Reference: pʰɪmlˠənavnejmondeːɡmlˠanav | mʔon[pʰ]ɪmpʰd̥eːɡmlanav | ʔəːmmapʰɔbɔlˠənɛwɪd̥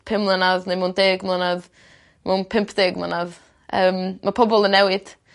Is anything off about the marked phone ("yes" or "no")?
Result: no